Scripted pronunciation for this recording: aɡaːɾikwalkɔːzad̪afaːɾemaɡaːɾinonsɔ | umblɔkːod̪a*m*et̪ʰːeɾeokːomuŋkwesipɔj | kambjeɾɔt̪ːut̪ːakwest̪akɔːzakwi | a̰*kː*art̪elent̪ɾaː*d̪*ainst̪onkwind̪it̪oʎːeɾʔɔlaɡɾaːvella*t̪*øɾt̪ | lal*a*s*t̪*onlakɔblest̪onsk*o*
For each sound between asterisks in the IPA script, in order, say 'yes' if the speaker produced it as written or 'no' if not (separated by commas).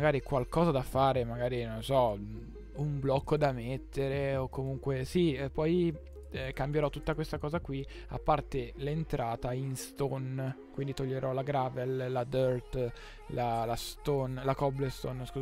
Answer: yes, no, no, no, yes, yes, no